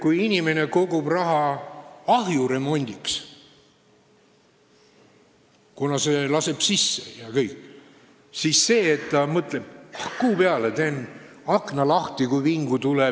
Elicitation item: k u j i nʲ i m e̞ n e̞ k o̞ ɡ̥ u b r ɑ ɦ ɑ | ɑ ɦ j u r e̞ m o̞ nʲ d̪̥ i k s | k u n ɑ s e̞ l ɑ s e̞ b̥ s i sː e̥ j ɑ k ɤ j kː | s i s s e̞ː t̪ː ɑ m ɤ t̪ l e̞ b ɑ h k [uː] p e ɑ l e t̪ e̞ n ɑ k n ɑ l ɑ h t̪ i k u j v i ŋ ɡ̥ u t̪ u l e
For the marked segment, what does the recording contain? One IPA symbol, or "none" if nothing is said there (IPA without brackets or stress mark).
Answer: uː